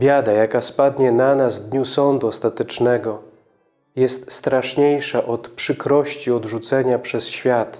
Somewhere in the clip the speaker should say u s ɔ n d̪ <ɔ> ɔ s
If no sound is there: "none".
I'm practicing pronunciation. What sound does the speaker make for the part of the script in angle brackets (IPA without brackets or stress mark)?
u